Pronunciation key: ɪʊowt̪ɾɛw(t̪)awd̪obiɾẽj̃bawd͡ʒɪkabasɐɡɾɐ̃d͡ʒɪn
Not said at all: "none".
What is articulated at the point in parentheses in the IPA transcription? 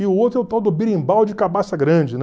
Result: t̪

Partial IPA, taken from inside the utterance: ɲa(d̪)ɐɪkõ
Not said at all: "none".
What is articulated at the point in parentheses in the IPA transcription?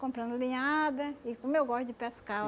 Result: d̪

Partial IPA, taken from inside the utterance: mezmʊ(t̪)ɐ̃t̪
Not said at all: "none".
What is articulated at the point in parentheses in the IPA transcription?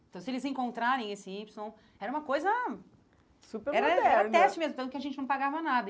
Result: t̪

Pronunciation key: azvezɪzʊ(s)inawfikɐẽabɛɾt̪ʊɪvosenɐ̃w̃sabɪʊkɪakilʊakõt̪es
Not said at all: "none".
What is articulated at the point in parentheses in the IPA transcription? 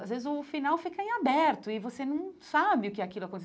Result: f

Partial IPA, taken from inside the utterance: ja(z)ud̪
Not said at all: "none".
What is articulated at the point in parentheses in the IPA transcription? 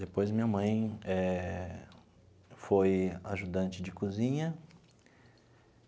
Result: ʒ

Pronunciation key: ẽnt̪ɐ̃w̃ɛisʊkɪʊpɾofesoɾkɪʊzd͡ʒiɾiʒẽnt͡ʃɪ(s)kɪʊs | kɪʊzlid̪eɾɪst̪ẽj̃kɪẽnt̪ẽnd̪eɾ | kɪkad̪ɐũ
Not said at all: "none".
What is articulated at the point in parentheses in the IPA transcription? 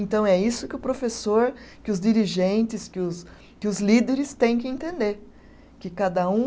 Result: s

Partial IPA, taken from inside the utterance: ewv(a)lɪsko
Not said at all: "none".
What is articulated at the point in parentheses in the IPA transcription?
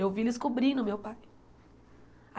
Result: i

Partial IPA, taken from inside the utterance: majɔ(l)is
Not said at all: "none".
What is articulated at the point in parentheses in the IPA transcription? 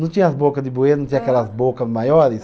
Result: ɾ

